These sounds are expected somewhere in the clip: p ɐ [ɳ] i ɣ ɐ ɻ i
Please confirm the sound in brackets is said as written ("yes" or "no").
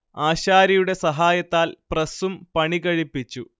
yes